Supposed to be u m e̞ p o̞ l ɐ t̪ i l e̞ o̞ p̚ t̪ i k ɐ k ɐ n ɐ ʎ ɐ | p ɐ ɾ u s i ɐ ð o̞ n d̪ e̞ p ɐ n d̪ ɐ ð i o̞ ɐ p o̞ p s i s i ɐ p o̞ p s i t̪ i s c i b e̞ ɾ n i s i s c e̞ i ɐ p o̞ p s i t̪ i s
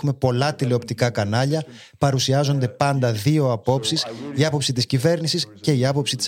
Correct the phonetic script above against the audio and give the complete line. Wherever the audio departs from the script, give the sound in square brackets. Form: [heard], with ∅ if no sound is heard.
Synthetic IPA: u m e̞ p o̞ l ɐ t̪ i l e̞ o̞ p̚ t̪ i k ɐ k ɐ n ɐ ʎ ɐ | p ɐ ɾ u s i ɐ [z] o̞ n d̪ e̞ p ɐ n d̪ ɐ ð i o̞ ɐ p o̞ p s i s i ɐ p o̞ p s i t̪ i s c i [v] e̞ ɾ n i s i s c e̞ i ɐ p o̞ p s i t̪ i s